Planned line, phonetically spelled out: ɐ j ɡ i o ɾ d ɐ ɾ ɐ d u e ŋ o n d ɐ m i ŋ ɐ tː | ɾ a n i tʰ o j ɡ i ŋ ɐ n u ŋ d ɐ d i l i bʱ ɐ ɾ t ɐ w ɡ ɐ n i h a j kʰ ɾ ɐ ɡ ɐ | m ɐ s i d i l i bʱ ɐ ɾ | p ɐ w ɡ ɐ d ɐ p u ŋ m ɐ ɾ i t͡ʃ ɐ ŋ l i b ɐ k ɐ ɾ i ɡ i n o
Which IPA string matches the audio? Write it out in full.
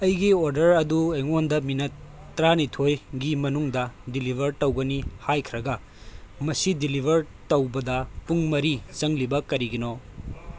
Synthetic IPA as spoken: ɐ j ɡ i o ɾ d ɐ ɾ ɐ d u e ŋ o n d ɐ m i n ɐ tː | ɾ a n i tʰ o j ɡ i m ɐ n u ŋ d ɐ d i l i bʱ ɐ ɾ t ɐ w ɡ ɐ n i h a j kʰ ɾ ɐ ɡ ɐ | m ɐ s i d i l i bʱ ɐ ɾ | t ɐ w b ɐ d ɐ p u ŋ m ɐ ɾ i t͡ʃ ɐ ŋ l i b ɐ k ɐ ɾ i ɡ i n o